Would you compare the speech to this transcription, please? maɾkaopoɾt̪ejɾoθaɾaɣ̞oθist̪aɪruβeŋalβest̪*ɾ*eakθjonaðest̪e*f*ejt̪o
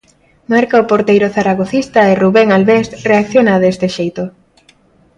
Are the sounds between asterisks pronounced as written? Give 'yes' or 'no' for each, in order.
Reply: no, no

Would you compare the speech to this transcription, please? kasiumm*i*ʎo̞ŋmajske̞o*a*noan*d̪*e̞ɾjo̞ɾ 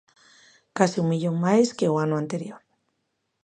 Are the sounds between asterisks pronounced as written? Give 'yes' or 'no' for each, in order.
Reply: yes, yes, no

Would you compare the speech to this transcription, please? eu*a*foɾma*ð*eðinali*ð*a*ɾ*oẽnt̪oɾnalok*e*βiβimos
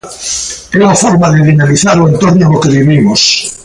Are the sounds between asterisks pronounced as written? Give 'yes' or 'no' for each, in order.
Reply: yes, yes, no, yes, yes

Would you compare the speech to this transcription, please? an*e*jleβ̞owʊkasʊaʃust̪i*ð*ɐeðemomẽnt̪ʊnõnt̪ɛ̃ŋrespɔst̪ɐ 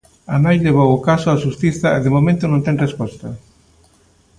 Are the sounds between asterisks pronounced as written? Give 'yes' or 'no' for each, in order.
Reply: no, no

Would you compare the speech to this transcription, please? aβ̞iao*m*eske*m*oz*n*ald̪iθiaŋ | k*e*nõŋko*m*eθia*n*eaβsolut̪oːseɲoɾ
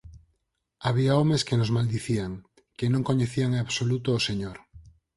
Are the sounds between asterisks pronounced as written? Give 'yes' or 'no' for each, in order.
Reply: yes, no, no, yes, no, no

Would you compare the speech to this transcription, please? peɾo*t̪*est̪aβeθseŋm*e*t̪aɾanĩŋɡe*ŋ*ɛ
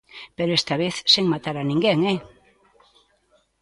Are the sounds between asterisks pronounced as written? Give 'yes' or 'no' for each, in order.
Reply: no, no, yes

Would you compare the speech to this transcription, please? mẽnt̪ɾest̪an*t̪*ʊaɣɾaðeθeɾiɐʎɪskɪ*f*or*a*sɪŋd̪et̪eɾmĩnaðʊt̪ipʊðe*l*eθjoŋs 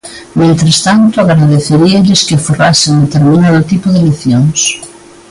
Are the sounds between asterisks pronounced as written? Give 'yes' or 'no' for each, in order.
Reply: yes, yes, yes, yes

